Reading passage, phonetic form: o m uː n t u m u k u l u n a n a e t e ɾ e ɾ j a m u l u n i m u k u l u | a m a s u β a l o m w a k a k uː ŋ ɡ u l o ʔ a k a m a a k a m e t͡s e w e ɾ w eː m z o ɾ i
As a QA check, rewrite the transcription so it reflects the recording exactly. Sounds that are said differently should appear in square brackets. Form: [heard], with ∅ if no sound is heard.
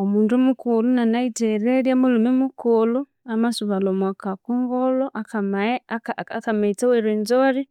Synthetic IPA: o m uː n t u m u k u l u n a n a [i] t e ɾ e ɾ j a m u l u [m] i m u k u l u | a m a s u β a l o m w a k a k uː ŋ ɡ [o] l o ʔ a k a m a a k a m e t͡s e w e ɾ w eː [n] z o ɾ i